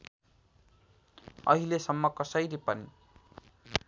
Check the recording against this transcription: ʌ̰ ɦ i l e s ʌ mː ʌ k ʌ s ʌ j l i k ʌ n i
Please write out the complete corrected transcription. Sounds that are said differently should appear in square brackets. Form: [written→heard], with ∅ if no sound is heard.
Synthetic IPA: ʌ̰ ɦ i l e s ʌ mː ʌ k ʌ s ʌ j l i [k→p] ʌ n i